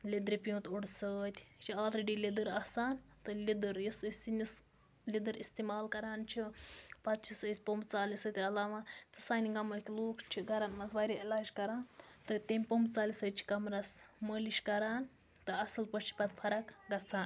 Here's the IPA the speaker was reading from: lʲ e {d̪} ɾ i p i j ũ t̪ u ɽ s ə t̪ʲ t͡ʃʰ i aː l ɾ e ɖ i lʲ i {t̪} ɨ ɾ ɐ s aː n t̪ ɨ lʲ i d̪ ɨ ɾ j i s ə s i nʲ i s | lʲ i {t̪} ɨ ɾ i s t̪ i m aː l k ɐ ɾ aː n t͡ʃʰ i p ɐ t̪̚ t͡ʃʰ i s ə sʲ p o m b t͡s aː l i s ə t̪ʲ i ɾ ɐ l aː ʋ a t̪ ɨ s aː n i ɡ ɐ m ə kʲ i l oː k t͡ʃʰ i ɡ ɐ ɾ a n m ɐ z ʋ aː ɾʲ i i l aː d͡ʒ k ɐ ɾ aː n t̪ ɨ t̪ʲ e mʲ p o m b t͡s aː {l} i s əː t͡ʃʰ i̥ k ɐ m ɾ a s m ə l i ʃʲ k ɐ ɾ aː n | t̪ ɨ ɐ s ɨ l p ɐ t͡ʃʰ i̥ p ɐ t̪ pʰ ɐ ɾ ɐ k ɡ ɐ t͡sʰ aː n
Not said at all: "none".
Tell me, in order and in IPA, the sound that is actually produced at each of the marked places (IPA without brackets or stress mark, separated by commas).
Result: d̪, d̪, d̪, l